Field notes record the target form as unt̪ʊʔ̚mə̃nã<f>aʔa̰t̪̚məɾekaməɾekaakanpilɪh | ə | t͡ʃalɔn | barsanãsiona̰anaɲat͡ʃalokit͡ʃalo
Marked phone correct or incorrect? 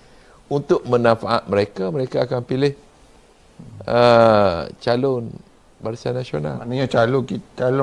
correct